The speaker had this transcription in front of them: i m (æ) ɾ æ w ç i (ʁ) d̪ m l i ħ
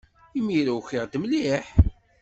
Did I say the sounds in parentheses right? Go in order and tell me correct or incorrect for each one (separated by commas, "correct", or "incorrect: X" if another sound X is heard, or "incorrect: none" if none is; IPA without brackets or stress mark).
incorrect: i, correct